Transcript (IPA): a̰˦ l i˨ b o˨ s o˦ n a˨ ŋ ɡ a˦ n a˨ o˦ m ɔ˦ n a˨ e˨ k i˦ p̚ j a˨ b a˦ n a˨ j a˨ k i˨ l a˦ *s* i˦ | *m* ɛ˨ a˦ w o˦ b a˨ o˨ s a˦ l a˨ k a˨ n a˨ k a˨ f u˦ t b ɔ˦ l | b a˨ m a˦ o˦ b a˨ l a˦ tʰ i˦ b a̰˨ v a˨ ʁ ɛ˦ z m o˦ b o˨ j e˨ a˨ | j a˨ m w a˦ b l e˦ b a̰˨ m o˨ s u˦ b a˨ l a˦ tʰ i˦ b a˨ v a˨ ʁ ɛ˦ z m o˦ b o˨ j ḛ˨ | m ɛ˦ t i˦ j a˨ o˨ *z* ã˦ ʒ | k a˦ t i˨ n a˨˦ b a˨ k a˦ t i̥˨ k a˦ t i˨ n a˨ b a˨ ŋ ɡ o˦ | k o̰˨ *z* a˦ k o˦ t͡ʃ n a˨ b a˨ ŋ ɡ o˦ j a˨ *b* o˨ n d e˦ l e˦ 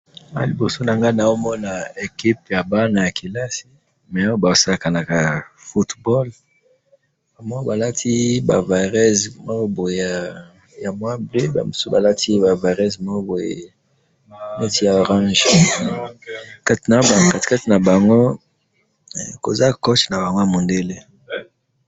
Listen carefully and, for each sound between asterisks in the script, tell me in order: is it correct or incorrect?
correct, correct, incorrect: ʁ, correct, incorrect: m

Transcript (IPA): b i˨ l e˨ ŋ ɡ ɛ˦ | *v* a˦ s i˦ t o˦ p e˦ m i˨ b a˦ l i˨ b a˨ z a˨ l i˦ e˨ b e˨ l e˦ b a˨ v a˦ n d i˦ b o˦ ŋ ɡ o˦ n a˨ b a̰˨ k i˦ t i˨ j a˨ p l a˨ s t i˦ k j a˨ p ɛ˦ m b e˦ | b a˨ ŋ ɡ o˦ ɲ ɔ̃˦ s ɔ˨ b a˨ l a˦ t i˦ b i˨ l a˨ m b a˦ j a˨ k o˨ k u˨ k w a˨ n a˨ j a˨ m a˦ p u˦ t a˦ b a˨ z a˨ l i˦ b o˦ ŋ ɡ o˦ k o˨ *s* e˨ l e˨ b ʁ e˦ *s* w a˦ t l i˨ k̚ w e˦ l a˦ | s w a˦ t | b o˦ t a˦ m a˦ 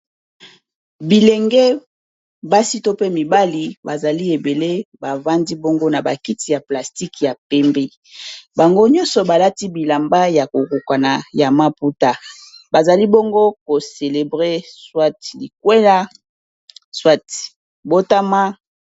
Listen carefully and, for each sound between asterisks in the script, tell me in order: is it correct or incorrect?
incorrect: b, correct, correct

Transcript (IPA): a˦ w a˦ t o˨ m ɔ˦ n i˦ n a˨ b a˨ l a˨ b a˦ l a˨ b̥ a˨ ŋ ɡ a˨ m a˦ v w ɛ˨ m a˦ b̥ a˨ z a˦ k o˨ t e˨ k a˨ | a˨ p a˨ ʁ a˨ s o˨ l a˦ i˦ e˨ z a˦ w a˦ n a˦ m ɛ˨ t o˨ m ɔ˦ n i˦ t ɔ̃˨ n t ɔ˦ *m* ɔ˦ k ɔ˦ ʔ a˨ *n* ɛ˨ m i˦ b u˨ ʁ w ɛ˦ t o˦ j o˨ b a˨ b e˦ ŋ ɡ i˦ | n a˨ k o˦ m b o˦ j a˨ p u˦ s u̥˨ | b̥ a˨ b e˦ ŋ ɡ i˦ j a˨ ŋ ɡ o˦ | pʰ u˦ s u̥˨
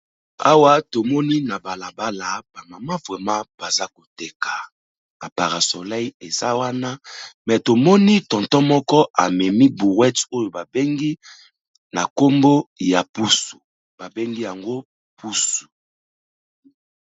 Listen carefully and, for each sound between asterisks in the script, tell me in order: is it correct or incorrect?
correct, incorrect: m

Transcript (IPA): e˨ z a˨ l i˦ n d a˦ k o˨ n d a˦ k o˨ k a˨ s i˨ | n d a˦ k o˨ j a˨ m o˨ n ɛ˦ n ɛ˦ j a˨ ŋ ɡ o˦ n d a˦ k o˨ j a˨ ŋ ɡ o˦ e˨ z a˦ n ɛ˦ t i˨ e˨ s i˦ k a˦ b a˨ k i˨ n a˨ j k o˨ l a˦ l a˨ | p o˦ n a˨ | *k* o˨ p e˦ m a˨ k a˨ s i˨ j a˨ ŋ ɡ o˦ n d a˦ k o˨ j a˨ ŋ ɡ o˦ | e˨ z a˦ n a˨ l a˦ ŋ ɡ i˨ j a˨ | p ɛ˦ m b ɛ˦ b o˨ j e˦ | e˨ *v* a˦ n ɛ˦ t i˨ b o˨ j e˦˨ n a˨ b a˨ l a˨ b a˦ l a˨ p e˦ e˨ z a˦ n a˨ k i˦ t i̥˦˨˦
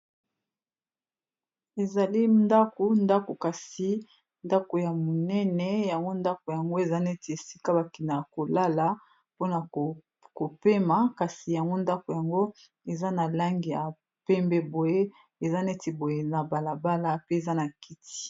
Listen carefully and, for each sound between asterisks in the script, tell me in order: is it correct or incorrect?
correct, incorrect: z

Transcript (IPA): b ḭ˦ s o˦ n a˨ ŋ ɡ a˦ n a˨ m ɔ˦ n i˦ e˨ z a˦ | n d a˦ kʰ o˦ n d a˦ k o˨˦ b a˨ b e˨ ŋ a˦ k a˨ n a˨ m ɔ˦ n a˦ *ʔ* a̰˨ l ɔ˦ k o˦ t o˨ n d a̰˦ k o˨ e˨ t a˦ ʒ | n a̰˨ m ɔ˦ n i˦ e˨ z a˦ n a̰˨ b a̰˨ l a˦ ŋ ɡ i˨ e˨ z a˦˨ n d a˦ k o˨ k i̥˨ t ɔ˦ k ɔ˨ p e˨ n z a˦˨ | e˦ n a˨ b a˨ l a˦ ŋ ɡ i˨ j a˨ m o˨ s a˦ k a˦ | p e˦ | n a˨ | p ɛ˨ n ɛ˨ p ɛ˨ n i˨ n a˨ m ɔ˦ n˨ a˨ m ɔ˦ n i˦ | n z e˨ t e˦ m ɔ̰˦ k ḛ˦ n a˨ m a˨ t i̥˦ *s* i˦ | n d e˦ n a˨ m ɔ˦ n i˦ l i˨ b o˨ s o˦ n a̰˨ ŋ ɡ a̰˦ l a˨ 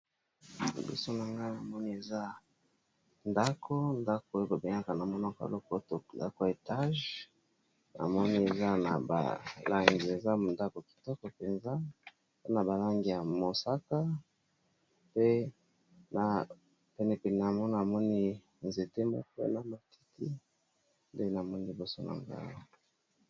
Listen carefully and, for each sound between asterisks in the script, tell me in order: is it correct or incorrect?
incorrect: k, incorrect: t

